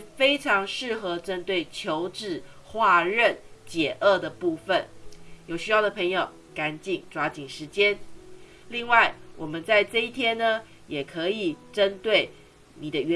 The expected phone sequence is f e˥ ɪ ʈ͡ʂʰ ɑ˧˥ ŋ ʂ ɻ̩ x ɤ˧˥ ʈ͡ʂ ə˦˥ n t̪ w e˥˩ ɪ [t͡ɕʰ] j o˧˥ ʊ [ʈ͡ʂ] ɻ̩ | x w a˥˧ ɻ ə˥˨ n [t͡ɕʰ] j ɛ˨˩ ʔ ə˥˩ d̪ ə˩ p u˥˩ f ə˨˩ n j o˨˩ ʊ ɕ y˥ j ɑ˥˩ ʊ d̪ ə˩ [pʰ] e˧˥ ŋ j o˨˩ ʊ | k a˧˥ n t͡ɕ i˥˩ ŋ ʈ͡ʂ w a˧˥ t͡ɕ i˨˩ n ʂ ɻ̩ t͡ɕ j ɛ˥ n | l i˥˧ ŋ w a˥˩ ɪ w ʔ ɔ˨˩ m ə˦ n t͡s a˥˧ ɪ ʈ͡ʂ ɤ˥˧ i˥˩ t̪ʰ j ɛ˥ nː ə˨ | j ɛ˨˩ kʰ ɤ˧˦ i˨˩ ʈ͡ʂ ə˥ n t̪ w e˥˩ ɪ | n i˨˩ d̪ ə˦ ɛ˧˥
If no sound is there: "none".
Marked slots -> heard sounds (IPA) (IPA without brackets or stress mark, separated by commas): t͡ɕʰ, ʈ͡ʂ, t͡ɕ, pʰ